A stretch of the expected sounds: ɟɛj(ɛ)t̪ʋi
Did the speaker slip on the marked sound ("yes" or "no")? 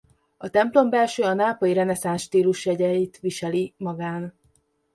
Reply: yes